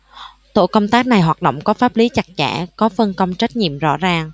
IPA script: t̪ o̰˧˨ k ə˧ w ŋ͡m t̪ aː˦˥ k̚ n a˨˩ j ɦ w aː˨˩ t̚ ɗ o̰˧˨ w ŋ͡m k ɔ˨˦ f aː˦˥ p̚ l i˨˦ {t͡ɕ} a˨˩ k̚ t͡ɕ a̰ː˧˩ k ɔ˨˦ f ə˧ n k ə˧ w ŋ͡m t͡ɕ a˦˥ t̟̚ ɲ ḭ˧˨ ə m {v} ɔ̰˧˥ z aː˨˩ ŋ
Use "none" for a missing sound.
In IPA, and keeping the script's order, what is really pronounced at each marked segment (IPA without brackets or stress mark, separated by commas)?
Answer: t͡ɕ, z